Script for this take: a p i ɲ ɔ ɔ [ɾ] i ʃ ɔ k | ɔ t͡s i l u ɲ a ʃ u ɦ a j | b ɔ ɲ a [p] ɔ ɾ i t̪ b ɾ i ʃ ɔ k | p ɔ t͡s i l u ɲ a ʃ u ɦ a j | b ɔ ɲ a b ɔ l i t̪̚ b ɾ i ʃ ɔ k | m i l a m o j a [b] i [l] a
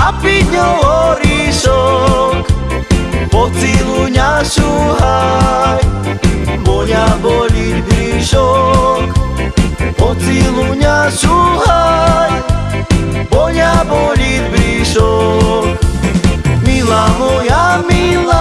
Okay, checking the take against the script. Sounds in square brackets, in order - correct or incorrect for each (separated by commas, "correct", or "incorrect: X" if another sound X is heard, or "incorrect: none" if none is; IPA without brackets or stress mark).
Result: correct, incorrect: b, incorrect: m, correct